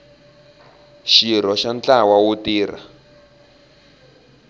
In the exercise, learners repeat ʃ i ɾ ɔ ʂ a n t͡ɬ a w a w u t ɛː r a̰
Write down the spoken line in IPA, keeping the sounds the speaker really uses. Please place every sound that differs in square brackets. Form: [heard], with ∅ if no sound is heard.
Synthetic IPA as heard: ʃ i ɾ ɔ [ʃ] a n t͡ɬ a w a w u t [iː] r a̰